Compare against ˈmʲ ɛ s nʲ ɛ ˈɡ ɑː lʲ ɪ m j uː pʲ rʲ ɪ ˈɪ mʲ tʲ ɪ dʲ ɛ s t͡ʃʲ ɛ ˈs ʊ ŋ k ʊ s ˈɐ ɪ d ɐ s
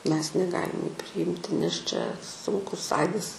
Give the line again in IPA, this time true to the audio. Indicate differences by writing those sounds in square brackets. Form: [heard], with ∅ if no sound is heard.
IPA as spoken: ˈmʲ ɛ s nʲ ɛ ˈɡ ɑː lʲ ɪ m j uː pʲ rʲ ɪ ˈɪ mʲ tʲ ɪ [nʲ] ɛ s t͡ʃʲ ɛ ˈs ʊ ŋ k ʊ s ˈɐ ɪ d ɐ s